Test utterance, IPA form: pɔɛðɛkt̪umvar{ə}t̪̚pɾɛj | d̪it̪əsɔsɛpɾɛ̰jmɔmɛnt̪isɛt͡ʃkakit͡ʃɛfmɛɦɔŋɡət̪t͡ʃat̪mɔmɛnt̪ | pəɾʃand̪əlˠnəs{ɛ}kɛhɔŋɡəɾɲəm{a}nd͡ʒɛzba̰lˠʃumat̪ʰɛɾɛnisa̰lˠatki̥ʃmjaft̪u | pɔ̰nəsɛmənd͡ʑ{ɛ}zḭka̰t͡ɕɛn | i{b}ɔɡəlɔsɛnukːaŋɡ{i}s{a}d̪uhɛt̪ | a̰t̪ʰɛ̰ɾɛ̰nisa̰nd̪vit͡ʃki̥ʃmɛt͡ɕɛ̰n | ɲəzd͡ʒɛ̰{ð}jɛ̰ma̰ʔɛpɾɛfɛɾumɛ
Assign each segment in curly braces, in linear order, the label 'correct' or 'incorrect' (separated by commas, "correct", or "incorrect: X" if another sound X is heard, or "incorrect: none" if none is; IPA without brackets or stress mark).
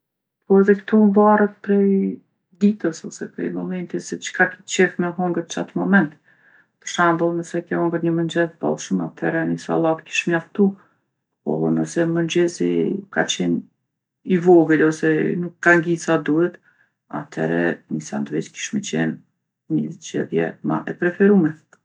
correct, correct, incorrect: ə, correct, incorrect: v, correct, correct, correct